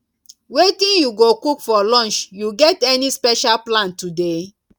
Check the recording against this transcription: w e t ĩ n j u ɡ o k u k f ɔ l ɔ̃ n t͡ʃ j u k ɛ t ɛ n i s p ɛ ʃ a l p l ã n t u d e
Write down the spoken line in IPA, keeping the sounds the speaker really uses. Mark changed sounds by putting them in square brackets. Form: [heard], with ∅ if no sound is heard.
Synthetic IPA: w e t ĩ n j u ɡ o k u k f ɔ l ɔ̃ n t͡ʃ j u [ɡ] ɛ t ɛ n i s p ɛ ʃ a l p l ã n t u d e